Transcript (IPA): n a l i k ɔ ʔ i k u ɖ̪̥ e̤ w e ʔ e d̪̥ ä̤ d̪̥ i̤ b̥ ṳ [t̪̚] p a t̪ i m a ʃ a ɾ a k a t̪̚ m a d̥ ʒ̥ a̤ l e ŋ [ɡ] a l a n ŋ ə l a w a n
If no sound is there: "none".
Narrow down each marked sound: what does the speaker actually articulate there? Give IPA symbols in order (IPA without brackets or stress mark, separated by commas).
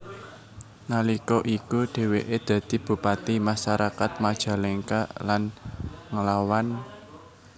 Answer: none, k